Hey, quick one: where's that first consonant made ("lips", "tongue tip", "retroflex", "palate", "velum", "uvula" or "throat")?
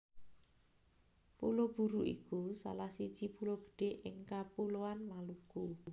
lips